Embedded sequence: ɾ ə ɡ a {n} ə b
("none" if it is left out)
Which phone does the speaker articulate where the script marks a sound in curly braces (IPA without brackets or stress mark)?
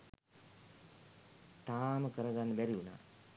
nː